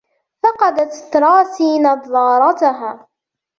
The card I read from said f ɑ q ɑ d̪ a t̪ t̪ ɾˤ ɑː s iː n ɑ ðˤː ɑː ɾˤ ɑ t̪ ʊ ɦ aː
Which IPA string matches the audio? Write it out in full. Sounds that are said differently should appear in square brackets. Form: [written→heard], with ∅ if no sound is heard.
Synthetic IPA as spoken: f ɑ q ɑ d̪ a t̪ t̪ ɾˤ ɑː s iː n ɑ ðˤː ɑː ɾˤ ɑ t̪ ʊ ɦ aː